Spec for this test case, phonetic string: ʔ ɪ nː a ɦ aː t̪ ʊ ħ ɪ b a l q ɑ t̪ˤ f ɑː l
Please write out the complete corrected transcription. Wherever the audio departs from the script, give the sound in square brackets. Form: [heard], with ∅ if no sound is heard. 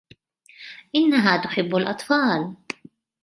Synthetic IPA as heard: ʔ ɪ nː a ɦ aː t̪ ʊ ħ ɪ [bː] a l [ʔ] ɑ t̪ˤ f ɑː l